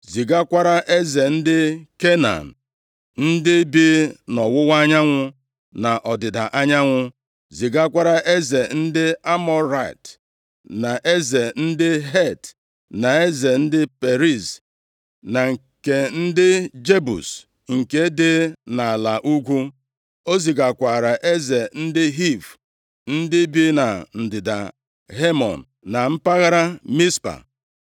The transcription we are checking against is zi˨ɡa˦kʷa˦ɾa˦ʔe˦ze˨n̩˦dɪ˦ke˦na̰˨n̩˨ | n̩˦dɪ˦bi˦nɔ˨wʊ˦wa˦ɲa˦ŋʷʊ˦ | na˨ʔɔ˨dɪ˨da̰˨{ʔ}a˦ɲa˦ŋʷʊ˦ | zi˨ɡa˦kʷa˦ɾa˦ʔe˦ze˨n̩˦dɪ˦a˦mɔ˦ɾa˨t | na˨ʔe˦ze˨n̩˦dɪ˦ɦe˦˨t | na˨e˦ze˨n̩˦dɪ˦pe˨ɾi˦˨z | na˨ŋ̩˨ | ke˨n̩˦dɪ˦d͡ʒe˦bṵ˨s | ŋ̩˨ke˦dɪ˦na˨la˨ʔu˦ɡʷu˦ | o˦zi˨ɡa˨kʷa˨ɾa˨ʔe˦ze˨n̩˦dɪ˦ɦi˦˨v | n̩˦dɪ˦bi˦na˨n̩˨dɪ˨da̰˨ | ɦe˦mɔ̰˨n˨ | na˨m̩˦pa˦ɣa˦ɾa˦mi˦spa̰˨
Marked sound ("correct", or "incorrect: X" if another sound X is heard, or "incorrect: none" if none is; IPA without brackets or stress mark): correct